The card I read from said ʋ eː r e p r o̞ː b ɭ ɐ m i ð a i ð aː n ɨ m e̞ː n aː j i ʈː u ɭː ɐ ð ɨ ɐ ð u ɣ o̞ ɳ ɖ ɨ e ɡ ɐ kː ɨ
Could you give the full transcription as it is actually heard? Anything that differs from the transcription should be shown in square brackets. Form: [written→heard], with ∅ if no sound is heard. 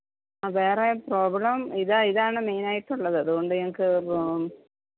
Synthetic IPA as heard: ʋ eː r e p r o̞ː b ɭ ɐ m i ð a i ð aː [n→ɳ] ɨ m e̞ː n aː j i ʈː u ɭː ɐ ð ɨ ɐ ð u ɣ o̞ ɳ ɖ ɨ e [ɡ→ŋ] ɐ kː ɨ